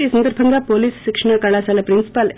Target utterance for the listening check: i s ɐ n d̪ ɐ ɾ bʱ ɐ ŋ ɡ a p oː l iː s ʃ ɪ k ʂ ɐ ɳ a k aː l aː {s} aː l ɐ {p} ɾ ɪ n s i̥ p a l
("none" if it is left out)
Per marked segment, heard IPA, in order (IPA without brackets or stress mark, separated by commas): s, p